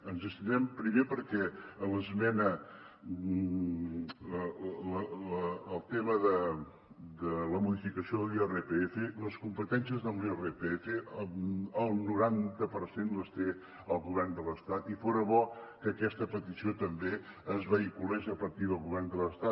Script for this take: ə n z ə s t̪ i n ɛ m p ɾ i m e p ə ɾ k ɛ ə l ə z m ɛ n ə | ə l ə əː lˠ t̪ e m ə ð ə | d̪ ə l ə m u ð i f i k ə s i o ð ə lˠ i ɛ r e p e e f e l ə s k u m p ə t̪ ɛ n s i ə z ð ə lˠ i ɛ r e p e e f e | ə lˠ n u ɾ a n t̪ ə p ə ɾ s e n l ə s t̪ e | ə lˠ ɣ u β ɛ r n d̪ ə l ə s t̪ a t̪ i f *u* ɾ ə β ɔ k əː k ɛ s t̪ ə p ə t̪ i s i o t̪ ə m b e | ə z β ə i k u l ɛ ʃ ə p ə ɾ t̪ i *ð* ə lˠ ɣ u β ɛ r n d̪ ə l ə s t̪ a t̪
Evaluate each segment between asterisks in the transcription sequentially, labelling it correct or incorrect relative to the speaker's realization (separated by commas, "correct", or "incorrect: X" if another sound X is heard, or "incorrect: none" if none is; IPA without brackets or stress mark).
incorrect: o, correct